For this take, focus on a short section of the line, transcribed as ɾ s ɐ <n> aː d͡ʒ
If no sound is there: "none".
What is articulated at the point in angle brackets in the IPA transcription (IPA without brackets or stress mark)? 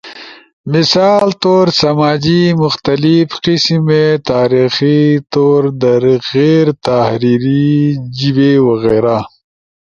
m